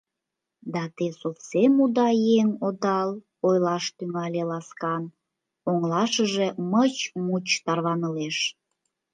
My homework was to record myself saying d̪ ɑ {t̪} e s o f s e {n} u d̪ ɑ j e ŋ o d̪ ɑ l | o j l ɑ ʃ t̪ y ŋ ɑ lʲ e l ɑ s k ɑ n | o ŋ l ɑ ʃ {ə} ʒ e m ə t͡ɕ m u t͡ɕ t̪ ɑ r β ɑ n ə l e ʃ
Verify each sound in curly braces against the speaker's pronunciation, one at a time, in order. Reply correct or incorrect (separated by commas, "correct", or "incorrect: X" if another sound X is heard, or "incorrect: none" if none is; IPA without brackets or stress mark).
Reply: correct, incorrect: m, correct